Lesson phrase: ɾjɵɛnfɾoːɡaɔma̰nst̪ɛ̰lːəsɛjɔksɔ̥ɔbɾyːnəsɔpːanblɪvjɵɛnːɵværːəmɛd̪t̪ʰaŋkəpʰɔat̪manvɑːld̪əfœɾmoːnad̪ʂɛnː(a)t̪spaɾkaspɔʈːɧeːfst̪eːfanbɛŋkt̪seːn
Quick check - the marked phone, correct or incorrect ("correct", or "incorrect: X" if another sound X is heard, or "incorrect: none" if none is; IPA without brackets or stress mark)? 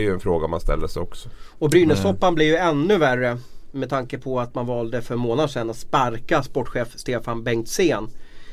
correct